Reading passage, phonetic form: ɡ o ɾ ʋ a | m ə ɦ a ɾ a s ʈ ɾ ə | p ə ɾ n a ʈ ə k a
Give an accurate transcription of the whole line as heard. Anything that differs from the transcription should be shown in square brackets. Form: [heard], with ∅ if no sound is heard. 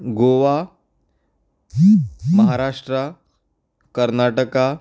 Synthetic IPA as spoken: ɡ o [∅] ʋ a | m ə ɦ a ɾ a [ʂ] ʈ ɾ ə | [k] ə ɾ n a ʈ ə k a